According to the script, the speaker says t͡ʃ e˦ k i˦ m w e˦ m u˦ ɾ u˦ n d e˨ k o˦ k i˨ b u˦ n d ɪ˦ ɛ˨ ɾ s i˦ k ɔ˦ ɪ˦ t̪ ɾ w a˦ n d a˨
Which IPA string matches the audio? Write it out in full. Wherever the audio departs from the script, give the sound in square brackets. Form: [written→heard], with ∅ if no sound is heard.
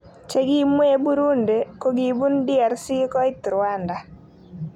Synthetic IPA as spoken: t͡ʃ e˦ [k→ɡ] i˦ m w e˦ [m→b] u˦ ɾ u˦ n d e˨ k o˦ [k→ɡ] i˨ b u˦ n d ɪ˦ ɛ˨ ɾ s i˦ k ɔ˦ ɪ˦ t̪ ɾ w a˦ n d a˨

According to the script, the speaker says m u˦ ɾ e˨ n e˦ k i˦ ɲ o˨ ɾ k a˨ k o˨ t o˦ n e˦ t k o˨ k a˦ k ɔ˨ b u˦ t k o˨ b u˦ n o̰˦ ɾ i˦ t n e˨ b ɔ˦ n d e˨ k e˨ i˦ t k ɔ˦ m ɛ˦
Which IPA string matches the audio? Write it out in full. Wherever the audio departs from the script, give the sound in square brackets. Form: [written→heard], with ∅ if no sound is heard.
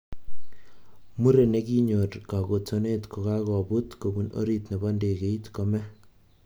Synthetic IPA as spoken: m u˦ ɾ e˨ n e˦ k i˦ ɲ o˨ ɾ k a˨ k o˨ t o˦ n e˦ t k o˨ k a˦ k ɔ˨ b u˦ t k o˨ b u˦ n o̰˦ ɾ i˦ t n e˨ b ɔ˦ n d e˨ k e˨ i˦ t k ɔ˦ m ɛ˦

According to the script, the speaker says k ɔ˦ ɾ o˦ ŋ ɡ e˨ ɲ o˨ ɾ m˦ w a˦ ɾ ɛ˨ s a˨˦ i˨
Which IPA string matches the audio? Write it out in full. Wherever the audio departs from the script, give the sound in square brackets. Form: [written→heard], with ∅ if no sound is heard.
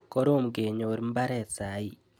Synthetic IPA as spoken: k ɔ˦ ɾ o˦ [ŋ→m] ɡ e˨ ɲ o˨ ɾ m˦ [w→b] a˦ ɾ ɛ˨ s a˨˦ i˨

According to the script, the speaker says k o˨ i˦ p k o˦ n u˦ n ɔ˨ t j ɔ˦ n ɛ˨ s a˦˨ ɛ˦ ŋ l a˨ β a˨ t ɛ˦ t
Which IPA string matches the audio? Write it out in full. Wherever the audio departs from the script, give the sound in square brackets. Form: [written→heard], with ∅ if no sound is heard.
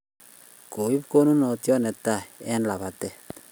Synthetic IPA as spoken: k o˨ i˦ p k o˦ n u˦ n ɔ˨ t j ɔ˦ n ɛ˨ [s→t] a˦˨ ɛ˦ [ŋ→n] l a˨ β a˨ t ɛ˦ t

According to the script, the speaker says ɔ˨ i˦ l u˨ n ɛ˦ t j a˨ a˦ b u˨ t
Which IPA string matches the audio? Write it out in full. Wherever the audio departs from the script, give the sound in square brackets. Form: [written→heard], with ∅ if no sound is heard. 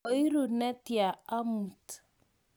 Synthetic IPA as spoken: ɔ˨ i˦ [l→ɾ] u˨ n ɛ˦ t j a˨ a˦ [b→m] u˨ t

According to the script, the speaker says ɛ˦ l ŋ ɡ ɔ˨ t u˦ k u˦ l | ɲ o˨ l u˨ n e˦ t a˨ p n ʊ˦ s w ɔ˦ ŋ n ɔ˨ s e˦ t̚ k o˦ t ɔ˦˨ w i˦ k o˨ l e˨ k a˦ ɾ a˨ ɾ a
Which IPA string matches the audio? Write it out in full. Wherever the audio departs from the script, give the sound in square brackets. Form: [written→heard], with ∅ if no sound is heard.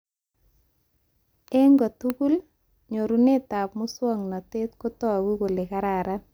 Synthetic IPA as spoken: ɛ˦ [l→∅] ŋ ɡ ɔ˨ t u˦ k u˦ l | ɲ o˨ [l→ɾ] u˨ n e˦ t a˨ p [n→m] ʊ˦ s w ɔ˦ ŋ n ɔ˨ [s→t] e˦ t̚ k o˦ t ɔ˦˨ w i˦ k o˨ l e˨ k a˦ ɾ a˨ ɾ a

